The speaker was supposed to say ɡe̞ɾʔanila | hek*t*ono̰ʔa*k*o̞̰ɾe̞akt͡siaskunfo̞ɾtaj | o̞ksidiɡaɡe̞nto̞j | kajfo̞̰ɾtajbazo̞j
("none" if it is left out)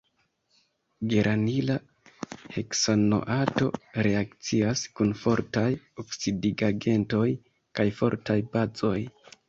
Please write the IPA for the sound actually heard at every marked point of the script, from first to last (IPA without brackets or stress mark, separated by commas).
s, t